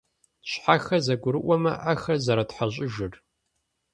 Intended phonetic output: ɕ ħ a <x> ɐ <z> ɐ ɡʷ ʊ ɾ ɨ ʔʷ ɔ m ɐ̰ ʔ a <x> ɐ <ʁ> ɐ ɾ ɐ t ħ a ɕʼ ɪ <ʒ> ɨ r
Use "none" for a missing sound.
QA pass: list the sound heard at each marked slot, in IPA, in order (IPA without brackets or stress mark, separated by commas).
x, z, x, z, ʒ